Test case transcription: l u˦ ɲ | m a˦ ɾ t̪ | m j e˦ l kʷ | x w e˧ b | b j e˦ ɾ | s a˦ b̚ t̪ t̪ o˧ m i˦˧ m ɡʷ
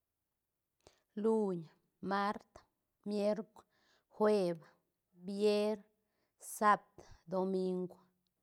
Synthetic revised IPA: l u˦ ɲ | m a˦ ɾ t̪ | m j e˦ ɾ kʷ | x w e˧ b | b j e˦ ɾ | s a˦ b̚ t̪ d̪ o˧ m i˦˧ ŋ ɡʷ